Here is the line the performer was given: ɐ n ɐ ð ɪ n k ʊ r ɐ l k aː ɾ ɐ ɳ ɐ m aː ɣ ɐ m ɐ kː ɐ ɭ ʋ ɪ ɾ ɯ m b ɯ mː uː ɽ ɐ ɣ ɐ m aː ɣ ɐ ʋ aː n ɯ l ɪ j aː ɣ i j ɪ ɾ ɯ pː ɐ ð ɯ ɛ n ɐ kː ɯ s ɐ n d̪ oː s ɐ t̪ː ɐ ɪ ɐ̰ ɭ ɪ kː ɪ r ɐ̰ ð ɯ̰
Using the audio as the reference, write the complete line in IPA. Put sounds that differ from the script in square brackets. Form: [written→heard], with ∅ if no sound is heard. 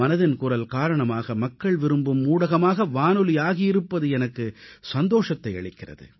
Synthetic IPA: ɐ n ɐ ð ɪ n k ʊ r ɐ l k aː ɾ ɐ ɳ ɐ m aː ɣ ɐ m ɐ kː ɐ ɭ ʋ ɪ ɾ ɯ m b ɯ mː uː ɽ ɐ ɣ ɐ m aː ɣ ɐ ʋ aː n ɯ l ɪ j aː ɣ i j ɪ ɾ ɯ pː ɐ ð ɯ ɛ n ɐ kː ɯ s ɐ n d̪ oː [s→ʂ] ɐ t̪ː ɐ ɪ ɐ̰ ɭ ɪ kː ɪ r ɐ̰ ð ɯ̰